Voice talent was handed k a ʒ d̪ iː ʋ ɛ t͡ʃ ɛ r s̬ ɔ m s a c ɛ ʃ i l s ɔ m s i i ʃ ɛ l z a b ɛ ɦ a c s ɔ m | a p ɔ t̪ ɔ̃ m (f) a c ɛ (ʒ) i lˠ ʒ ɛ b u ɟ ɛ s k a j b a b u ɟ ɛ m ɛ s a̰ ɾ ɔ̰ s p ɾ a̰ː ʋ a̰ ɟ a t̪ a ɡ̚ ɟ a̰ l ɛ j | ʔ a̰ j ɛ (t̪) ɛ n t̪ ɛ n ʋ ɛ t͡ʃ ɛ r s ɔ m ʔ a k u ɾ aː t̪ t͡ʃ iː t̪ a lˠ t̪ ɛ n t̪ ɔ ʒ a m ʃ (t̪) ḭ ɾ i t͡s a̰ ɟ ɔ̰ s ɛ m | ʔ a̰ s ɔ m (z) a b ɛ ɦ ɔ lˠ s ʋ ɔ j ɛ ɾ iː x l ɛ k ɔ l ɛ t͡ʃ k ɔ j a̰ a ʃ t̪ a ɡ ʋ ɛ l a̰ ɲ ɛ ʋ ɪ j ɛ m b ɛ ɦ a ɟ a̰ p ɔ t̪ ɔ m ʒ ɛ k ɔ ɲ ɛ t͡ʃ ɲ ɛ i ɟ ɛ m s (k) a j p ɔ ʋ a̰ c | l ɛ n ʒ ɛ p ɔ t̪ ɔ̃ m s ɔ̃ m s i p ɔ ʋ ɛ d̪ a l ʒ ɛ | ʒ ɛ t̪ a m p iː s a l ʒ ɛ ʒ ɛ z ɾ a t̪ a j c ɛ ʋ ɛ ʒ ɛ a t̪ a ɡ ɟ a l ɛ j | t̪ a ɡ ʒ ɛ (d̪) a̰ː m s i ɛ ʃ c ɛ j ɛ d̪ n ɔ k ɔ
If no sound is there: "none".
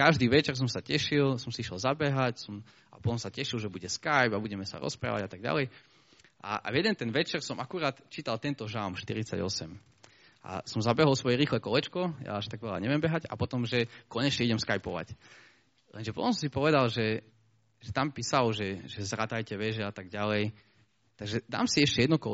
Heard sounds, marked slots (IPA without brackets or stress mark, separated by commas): s, ʃ, d̪, t̪, z, k, d̪